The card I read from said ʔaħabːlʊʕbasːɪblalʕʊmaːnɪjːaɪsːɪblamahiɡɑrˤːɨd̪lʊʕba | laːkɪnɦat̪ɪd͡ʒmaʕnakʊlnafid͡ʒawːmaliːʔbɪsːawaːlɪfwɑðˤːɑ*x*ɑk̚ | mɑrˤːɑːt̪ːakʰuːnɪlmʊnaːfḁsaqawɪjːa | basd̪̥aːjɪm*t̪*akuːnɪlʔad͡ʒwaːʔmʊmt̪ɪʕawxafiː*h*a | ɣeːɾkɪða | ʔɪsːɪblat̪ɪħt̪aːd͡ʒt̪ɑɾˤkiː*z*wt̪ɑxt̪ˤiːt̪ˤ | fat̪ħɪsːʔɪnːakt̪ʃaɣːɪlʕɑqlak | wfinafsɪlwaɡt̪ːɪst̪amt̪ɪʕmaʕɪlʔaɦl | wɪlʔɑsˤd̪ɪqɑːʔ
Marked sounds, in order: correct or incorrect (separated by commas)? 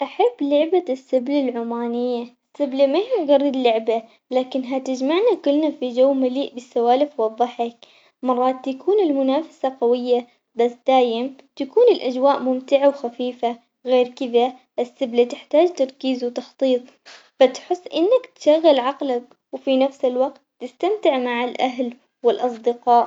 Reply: incorrect, correct, incorrect, correct